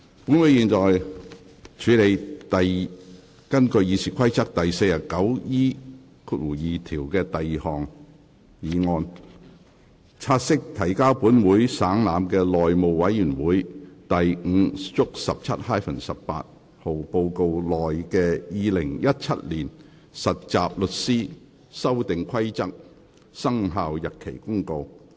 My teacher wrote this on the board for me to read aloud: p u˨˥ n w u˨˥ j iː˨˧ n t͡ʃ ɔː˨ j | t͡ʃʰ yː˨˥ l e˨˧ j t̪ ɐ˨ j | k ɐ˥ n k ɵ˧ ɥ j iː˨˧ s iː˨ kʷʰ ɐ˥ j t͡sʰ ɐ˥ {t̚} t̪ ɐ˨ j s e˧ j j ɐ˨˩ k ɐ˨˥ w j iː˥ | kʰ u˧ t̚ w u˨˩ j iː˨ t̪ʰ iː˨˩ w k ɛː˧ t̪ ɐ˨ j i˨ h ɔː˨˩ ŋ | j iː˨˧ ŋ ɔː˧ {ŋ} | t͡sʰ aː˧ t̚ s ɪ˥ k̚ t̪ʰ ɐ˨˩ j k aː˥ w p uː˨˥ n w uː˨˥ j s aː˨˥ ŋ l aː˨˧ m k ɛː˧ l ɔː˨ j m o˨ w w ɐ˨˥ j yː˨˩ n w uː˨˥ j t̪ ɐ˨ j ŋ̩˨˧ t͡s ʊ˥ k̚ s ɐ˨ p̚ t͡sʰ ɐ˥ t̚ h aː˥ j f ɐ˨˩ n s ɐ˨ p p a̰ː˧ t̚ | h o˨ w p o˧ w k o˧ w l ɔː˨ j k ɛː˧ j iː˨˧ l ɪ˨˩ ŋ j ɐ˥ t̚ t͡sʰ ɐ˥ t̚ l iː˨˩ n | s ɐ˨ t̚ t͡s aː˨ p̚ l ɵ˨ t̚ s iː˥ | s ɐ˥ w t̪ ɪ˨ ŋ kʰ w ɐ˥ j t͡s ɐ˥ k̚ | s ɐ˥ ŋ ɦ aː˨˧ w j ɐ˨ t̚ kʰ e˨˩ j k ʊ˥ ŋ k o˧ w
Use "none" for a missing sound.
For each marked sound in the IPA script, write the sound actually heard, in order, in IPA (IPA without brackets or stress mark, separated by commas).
k̚, n